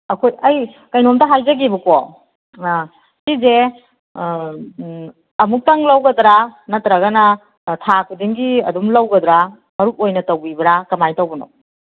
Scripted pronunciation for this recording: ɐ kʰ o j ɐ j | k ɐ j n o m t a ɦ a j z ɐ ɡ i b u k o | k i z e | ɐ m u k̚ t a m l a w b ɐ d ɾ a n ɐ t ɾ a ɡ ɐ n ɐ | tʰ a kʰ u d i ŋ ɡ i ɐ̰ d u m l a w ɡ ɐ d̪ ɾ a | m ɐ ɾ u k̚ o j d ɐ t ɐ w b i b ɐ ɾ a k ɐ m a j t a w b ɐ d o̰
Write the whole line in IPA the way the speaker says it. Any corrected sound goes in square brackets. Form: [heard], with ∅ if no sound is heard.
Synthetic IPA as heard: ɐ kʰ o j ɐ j | k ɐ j n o m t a ɦ a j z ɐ ɡ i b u k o | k i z e | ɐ m u k̚ t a [ŋ] l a w [ɡ] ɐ d ɾ a n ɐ t ɾ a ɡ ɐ n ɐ | tʰ a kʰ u d i ŋ ɡ i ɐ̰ d u m l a w ɡ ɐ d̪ ɾ a | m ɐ ɾ u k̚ o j [n] ɐ t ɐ w b i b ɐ ɾ a k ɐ m a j t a w b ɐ [n] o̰